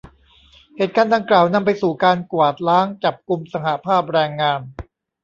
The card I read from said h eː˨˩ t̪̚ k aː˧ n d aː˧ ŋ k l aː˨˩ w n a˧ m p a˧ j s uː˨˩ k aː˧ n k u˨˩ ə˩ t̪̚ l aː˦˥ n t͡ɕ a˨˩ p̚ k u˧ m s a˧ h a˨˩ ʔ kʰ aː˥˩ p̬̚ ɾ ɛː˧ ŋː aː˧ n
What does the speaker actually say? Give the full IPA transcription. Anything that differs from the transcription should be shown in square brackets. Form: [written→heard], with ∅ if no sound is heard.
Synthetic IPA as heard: h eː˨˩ t̪̚ k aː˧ n d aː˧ ŋ k l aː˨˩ w n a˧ m p a˧ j s uː˨˩ k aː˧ n k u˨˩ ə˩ t̪̚ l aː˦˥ [n→ŋ] t͡ɕ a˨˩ p̚ k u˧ m s a˧ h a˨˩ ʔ [kʰ→pʰ] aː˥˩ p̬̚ ɾ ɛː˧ ŋː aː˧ n